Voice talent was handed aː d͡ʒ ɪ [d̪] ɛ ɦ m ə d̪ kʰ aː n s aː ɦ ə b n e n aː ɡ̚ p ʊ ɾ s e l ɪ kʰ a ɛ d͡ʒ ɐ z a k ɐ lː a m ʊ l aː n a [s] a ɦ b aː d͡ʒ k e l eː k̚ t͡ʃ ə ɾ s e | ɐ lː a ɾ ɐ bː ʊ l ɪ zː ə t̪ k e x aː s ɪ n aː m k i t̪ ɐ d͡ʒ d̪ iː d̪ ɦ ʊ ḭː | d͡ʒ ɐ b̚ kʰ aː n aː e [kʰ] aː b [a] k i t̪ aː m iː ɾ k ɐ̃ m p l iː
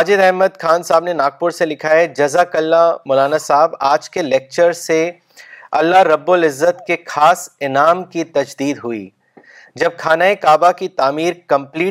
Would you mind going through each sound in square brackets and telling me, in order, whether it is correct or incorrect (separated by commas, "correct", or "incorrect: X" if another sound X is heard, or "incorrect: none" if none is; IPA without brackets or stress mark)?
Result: correct, correct, incorrect: k, correct